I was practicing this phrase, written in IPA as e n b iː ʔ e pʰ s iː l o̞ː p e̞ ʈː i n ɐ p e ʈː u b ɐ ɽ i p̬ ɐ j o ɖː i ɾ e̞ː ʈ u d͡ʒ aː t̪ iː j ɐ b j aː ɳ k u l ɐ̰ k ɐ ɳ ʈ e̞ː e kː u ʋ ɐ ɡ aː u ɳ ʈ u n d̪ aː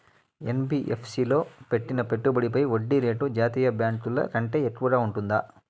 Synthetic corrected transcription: e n b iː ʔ e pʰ s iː l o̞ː p e̞ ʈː i n ɐ p e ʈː u b ɐ ɽ i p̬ ɐ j o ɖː i ɾ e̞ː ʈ u d͡ʒ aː t̪ iː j ɐ b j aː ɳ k u l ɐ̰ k ɐ ɳ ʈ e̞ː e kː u ʋ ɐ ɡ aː u ɳ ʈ u n d̪ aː